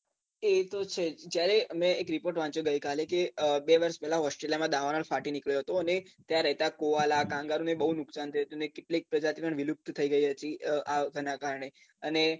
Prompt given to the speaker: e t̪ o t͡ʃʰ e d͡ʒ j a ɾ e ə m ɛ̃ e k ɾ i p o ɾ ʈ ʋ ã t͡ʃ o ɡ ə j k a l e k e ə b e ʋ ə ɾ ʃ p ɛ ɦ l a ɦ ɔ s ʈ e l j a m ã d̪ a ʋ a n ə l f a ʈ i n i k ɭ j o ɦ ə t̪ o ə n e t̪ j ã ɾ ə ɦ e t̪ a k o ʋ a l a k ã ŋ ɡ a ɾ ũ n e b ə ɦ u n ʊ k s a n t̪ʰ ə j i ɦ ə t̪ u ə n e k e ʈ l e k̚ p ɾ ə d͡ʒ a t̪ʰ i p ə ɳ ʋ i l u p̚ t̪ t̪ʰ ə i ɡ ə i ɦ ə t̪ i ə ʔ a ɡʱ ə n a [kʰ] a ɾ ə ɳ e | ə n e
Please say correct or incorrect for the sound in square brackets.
incorrect: k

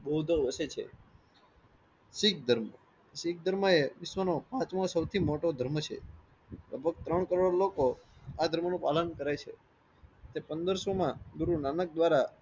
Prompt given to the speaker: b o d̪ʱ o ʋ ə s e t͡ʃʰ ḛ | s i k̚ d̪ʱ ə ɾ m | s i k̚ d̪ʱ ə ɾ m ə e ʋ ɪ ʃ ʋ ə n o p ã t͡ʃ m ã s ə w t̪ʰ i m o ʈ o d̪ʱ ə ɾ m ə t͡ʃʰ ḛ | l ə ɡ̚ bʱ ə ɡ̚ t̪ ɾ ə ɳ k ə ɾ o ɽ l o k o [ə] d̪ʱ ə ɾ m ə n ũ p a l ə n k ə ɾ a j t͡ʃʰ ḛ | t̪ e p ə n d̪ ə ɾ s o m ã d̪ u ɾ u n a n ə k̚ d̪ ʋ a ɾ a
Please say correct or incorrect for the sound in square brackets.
incorrect: a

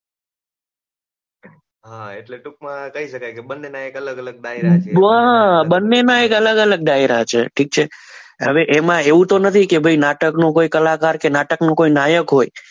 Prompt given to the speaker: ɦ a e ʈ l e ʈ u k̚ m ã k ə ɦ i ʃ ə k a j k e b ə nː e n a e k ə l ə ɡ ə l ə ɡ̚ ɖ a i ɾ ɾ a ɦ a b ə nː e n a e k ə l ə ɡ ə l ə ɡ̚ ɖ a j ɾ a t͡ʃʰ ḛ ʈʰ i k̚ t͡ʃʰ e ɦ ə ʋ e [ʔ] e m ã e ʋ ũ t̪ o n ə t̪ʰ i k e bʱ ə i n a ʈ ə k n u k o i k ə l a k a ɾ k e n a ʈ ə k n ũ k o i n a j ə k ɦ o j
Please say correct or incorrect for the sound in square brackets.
correct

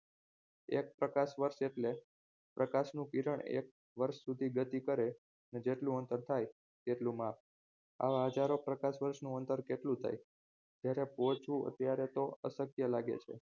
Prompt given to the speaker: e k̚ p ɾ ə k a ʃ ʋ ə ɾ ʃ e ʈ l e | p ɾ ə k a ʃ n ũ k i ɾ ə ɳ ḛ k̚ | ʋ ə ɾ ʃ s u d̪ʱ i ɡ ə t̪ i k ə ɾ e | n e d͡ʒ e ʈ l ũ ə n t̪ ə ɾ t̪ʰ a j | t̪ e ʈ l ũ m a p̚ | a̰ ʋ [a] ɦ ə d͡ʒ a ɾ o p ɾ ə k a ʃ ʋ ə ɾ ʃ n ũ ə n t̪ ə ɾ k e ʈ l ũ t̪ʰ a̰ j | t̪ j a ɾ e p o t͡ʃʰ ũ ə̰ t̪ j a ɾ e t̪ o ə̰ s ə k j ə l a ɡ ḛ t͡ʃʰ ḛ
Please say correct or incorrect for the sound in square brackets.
correct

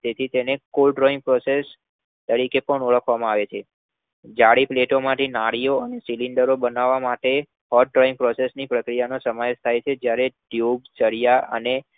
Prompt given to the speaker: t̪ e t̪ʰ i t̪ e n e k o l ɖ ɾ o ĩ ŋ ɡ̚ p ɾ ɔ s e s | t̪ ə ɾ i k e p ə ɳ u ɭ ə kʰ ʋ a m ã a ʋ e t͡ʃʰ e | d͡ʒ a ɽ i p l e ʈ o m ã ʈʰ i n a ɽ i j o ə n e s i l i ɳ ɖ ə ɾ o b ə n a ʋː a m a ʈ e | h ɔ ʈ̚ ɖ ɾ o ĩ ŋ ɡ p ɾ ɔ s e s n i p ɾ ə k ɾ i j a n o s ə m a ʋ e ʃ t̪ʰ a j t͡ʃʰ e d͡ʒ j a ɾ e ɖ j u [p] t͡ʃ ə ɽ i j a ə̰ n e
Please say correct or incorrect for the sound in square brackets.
incorrect: b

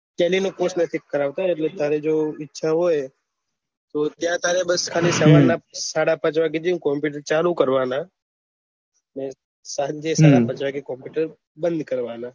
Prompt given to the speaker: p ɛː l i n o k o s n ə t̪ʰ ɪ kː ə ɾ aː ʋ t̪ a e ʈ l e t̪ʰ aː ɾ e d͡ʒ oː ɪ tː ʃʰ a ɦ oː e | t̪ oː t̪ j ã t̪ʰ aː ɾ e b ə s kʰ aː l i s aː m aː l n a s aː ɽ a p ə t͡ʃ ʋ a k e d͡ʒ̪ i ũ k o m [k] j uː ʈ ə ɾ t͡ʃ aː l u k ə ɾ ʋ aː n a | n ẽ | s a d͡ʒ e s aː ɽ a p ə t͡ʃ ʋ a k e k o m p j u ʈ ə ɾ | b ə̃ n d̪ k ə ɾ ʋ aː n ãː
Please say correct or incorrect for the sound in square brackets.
incorrect: p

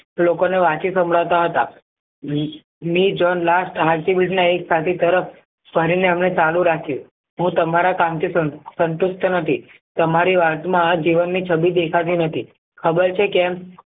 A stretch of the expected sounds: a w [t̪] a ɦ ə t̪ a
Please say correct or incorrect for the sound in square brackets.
correct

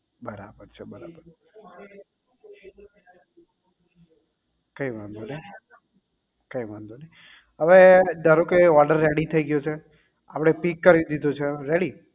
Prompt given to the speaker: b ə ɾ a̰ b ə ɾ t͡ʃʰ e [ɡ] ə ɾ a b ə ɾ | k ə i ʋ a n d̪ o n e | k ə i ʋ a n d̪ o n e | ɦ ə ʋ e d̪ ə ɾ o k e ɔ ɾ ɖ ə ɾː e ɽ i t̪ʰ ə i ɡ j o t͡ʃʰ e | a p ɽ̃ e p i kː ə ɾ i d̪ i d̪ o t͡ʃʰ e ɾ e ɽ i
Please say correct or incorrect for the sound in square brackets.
incorrect: b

